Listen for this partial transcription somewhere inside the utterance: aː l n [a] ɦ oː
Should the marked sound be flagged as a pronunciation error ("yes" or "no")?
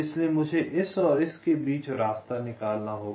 no